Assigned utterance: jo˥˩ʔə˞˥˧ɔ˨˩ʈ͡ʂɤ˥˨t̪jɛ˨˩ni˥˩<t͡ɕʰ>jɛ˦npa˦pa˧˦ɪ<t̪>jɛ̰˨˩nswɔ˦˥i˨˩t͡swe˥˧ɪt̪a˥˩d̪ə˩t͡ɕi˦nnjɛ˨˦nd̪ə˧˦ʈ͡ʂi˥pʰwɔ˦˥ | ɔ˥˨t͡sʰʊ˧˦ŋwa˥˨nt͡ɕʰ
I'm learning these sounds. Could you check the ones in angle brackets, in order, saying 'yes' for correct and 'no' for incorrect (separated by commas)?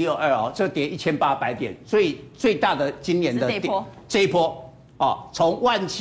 yes, yes